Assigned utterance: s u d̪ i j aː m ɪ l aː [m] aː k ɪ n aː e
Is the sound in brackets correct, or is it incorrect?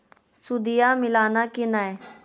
incorrect